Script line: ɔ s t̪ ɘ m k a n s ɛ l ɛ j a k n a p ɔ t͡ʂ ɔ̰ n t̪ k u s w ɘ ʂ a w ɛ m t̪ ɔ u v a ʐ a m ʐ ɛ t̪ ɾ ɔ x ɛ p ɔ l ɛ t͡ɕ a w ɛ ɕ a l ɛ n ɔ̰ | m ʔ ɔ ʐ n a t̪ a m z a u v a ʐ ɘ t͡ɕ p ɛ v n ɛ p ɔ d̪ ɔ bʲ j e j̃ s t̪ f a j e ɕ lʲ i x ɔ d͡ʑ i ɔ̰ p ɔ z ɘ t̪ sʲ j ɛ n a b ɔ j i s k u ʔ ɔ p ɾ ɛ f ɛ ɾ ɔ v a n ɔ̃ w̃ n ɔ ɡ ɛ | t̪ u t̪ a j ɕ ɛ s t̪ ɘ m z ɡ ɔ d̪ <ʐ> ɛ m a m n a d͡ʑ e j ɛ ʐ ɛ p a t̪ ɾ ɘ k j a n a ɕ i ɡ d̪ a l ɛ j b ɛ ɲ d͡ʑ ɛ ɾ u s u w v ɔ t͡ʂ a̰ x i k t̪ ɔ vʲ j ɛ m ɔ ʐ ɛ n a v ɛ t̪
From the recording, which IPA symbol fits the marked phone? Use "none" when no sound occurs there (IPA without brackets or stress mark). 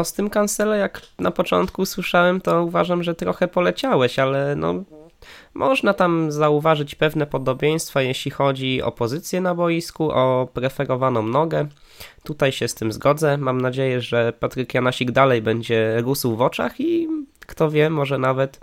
z